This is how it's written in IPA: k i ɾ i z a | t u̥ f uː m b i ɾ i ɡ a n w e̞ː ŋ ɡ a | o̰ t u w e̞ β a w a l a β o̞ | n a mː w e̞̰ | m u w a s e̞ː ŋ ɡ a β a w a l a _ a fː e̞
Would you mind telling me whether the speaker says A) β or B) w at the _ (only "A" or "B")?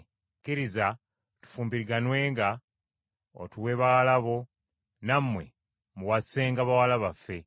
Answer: A